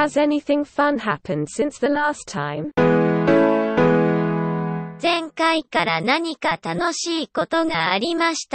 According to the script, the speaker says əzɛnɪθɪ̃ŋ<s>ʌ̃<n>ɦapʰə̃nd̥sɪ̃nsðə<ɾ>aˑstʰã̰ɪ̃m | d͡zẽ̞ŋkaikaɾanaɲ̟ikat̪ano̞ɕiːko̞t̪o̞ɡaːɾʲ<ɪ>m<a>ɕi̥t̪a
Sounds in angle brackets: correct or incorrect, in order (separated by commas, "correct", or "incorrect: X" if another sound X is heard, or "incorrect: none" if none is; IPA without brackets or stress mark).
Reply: incorrect: f, correct, incorrect: l, incorrect: i, correct